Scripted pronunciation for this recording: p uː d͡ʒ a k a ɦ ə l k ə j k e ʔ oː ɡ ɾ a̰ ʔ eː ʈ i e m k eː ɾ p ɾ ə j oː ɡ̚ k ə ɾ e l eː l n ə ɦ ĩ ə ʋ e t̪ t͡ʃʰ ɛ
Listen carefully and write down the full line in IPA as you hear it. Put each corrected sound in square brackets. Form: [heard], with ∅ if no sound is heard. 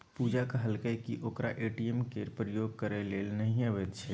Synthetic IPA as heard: p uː d͡ʒ a k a ɦ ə l k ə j k [i] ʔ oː [k] ɾ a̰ ʔ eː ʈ i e m k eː ɾ p ɾ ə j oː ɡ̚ k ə ɾ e l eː l n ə ɦ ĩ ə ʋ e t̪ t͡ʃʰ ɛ

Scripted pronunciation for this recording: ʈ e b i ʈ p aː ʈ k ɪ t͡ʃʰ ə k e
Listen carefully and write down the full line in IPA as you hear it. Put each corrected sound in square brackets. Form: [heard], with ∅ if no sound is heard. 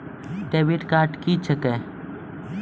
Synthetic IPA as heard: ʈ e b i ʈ [k] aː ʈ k [i] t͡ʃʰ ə k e

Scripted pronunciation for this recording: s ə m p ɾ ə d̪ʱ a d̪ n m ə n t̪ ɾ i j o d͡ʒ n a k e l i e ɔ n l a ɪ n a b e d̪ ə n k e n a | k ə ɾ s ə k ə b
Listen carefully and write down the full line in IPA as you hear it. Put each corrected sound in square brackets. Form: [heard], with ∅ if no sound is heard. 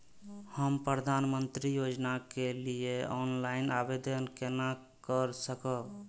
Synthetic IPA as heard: [h] ə m p ɾ ə d̪ʱ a [∅] n m ə n t̪ ɾ i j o d͡ʒ n a k e l i e ɔ n l a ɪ n a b e d̪ ə n k e n a | k ə ɾ s ə k ə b

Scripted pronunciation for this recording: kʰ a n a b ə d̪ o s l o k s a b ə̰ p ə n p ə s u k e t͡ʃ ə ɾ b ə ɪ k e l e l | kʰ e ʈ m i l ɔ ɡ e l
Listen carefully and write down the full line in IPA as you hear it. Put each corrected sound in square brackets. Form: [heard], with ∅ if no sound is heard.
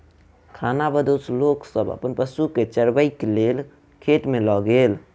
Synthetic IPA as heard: kʰ a n a b ə d̪ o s l o k s [ə] b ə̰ p ə n p ə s u k e t͡ʃ ə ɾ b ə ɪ k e l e l | kʰ e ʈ m [e] l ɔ ɡ e l

